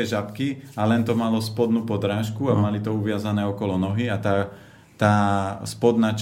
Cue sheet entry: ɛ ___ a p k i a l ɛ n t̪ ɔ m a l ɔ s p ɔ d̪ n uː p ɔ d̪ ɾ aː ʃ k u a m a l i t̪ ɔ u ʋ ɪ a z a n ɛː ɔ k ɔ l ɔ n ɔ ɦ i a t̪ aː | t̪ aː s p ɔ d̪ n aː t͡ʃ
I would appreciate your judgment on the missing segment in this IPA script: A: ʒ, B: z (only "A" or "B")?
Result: A